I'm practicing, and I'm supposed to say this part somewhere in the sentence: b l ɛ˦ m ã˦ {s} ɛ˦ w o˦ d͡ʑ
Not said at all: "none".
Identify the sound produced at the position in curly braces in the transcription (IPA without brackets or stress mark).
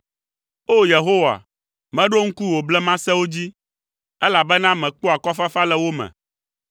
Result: s